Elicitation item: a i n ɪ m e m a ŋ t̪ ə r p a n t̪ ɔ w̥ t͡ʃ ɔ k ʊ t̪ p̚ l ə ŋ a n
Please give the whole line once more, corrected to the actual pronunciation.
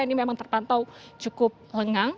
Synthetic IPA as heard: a i n i m e m a ŋ t̪ ə r p a n t̪ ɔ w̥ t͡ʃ u k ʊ p̚ l ə ŋ a ŋ